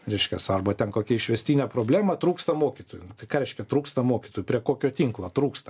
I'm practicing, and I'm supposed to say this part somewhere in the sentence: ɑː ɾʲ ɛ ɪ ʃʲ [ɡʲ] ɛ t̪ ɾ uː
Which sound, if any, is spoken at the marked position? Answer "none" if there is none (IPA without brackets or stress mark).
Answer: kʲ